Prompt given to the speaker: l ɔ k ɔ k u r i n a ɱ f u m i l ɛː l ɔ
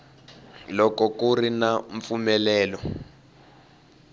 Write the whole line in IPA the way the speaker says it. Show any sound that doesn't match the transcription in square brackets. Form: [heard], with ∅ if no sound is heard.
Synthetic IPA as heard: l ɔ k ɔ k u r i n a ɱ f u m [ɛ] l ɛː l ɔ